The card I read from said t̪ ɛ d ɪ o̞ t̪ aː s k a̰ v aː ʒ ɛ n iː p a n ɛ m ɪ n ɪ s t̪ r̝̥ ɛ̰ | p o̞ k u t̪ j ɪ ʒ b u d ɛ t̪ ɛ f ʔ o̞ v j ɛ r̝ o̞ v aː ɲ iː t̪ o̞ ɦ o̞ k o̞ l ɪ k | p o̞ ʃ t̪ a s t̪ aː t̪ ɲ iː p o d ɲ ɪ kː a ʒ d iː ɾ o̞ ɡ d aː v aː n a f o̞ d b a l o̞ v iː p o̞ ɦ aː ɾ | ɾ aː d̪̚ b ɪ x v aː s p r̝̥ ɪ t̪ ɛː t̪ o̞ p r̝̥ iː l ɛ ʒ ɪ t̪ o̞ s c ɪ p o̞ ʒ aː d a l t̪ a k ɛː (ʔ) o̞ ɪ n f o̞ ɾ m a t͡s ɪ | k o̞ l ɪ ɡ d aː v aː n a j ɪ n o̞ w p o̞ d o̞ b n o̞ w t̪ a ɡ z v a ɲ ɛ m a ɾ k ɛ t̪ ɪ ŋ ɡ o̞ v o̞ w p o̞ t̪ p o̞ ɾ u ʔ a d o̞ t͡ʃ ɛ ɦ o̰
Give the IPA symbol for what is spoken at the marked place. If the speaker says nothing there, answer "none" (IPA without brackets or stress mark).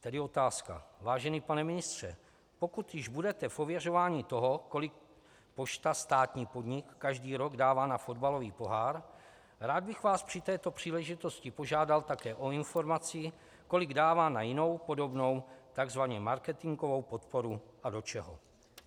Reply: ʔ